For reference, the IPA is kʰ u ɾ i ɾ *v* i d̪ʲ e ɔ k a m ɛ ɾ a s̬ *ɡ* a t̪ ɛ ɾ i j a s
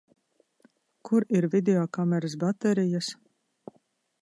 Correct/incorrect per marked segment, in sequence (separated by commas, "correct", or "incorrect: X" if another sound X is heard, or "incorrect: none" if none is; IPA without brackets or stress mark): correct, incorrect: b